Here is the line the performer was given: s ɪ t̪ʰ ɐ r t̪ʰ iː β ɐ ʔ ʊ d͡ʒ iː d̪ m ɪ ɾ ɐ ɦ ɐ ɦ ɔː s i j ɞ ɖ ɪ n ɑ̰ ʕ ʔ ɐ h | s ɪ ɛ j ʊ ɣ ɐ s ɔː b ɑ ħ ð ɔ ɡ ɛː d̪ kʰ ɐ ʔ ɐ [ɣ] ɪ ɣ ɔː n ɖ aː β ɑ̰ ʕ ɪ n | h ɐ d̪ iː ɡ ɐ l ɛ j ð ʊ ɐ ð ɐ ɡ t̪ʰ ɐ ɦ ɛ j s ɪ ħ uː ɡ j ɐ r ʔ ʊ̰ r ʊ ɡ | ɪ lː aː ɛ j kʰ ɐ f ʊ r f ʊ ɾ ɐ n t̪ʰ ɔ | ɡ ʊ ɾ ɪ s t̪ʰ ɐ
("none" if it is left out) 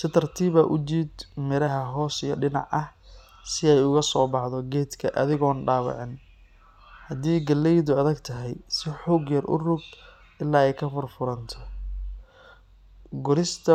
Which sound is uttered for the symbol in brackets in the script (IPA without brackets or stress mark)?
ð